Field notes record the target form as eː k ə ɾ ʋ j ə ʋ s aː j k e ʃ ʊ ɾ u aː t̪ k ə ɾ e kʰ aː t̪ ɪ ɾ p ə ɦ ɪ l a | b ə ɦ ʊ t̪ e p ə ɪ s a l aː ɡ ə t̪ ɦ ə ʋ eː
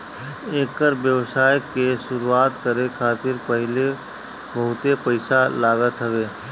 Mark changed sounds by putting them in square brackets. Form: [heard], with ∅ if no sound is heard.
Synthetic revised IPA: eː k ə ɾ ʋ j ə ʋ s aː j k e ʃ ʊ ɾ u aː t̪ k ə ɾ e kʰ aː t̪ ɪ ɾ p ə ɦ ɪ l [e] | b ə ɦ ʊ t̪ e p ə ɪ s a l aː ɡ ə t̪ ɦ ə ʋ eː